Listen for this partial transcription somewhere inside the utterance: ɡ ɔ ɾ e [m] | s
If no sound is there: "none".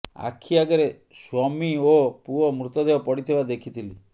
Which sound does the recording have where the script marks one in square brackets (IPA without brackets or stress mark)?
none